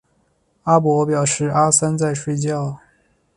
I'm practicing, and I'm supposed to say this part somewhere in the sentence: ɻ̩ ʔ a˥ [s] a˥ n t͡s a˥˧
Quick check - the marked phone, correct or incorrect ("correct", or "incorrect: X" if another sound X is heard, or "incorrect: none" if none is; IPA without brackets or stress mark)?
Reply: correct